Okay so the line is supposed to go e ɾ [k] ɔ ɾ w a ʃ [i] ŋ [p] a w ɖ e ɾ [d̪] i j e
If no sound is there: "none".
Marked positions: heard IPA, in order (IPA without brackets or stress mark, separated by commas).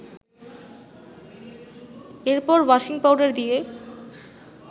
p, i, p, d̪